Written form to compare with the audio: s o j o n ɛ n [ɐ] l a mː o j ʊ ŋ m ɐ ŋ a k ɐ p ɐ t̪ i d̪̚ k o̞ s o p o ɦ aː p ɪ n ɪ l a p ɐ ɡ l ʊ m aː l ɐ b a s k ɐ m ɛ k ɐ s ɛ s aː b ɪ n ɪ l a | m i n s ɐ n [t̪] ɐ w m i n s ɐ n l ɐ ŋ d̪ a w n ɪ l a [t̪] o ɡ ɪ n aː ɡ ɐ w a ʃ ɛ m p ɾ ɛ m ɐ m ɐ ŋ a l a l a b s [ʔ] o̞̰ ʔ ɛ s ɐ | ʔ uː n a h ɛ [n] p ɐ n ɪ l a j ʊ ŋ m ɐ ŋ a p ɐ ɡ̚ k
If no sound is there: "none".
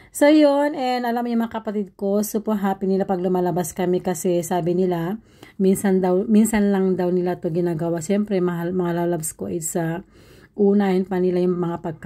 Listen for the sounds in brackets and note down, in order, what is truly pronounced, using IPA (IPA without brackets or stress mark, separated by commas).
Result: ɐ, d̪, t̪, k, n